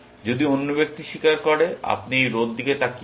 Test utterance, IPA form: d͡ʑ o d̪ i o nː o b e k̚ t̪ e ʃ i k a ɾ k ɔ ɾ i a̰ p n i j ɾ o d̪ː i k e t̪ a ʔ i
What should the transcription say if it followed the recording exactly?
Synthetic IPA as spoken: d͡ʑ o d̪ i o nː o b e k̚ t̪ i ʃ i k a ɾ k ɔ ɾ e a̰ p n i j ɾ o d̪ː i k e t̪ a k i